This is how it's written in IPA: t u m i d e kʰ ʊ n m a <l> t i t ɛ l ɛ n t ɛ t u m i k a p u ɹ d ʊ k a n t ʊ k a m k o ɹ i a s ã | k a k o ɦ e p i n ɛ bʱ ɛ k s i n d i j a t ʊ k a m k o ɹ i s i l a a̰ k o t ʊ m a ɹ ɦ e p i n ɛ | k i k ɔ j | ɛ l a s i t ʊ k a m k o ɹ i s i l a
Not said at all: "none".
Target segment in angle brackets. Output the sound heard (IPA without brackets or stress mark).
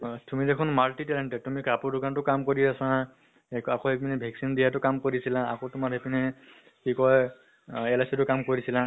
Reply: l